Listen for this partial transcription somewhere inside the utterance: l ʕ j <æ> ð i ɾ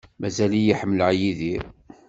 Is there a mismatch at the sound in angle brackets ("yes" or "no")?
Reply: yes